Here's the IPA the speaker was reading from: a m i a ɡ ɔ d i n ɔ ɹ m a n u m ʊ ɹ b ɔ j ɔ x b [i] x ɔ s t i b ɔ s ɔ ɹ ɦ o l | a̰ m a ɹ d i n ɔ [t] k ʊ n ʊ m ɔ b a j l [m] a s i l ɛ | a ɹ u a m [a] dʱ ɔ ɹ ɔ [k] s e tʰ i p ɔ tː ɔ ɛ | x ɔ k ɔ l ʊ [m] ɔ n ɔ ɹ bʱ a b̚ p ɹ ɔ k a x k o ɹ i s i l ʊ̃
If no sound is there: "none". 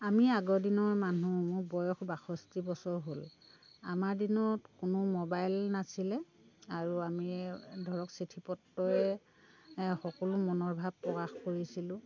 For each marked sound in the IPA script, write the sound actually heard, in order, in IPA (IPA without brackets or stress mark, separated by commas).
a, t, n, i, k, m